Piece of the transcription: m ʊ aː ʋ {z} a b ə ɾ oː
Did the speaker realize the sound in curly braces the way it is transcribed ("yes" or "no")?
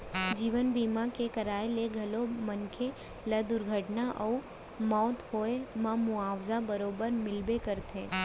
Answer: yes